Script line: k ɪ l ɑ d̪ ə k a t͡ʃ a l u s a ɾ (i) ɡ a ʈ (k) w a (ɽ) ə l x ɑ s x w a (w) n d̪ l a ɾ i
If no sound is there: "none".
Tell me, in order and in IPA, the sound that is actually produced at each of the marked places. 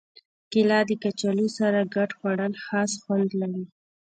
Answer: a, x, ɽ, none

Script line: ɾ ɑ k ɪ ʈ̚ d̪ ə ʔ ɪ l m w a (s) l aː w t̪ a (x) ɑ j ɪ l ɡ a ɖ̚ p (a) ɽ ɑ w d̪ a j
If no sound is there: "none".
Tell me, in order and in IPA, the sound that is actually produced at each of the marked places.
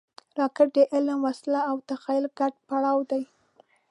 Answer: s, x, a

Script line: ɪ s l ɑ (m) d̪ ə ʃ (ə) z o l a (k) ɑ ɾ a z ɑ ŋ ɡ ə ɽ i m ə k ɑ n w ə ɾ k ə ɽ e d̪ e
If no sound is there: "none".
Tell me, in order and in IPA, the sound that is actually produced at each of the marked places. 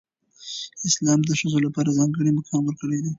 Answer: m, ə, p

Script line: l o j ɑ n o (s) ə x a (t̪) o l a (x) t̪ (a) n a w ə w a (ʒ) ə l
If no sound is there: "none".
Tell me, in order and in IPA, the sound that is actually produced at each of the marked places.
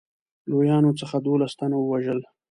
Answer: t͡s, d̪, s, a, ʒ

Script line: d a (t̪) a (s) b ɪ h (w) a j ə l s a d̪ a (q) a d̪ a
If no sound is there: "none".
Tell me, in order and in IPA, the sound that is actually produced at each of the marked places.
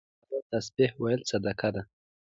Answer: t̪, s, w, k

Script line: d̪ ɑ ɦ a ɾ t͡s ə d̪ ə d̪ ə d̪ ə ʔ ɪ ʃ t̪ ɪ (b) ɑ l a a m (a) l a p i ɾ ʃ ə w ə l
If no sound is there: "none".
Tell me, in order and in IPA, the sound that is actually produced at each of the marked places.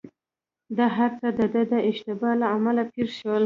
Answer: b, a

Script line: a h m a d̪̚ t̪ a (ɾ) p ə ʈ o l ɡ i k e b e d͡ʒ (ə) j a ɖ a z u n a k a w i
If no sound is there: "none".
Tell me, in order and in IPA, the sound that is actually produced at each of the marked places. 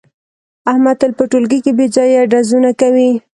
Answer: l, ɑ

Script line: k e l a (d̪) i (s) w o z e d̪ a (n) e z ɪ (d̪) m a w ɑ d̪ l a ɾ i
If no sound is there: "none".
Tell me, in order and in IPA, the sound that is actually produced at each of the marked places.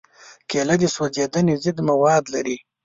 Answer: d̪, s, n, d̪

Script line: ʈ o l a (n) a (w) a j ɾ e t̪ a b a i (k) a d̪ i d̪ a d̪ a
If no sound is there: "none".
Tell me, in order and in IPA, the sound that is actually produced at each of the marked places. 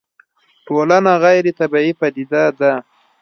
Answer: n, ɣ, p

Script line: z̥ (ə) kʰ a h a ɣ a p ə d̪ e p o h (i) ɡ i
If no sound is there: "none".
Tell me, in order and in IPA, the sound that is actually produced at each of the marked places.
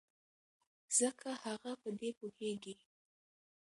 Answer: ə, e

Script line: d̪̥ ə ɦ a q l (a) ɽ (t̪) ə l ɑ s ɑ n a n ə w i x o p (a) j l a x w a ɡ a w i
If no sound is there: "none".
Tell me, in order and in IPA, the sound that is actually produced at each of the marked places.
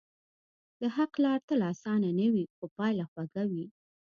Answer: ɑ, t̪, ɑ

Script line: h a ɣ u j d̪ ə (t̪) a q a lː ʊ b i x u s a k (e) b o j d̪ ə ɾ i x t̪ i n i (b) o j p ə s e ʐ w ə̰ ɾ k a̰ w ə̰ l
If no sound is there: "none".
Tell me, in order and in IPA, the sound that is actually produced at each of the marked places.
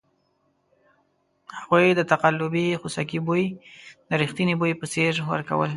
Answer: t̪, i, b

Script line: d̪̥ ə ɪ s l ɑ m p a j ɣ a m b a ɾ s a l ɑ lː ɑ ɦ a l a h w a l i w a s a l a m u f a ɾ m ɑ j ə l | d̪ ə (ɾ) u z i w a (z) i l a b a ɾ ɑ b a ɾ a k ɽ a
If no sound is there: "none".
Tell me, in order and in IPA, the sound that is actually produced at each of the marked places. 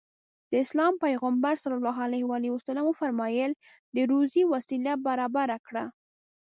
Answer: ɾ, s

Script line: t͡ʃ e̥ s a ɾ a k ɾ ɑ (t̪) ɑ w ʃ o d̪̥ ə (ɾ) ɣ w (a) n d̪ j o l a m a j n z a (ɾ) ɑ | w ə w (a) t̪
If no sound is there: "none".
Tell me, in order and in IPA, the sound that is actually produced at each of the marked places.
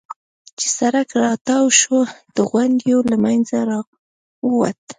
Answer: t̪, none, a, ɾ, a

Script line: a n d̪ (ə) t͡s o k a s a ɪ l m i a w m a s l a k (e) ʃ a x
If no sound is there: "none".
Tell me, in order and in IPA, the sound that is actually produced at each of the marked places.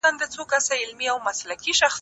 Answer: ə, i

